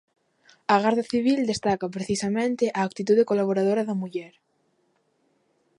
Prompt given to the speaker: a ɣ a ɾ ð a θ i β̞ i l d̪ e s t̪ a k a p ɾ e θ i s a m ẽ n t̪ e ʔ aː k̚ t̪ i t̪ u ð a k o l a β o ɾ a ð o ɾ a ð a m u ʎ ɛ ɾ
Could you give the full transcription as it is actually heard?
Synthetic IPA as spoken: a ɣ a ɾ ð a θ i β̞ i l d̪ e s t̪ a k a p ɾ e θ i s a m ẽ n t̪ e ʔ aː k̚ t̪ i t̪ u ð e k o l a β o ɾ a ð o ɾ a ð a m u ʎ ɛ ɾ